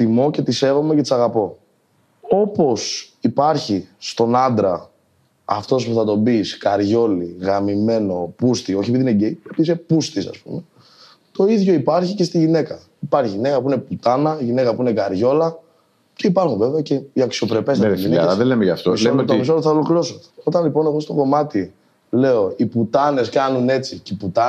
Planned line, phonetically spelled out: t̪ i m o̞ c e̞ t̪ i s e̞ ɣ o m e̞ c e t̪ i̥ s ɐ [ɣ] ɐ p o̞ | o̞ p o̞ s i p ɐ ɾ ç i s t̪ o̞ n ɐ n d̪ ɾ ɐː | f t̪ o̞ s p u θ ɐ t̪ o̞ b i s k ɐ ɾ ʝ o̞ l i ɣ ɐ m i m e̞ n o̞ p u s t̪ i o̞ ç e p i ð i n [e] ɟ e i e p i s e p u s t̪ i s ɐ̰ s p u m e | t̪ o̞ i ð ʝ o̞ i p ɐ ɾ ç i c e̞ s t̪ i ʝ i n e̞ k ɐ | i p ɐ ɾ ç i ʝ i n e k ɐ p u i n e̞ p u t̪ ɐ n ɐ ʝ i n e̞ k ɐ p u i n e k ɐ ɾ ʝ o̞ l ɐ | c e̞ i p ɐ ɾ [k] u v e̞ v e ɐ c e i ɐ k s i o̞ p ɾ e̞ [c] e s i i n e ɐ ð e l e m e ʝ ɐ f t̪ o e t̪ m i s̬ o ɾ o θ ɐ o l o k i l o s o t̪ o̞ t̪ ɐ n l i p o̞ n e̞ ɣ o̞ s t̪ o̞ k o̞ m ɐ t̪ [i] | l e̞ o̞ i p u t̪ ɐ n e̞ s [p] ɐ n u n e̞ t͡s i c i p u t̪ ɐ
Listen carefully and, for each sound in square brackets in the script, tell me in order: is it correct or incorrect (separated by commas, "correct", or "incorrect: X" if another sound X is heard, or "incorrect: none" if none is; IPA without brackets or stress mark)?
correct, correct, incorrect: x, incorrect: p, correct, incorrect: k